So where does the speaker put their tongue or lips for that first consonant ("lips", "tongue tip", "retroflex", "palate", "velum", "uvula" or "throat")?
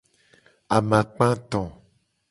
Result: lips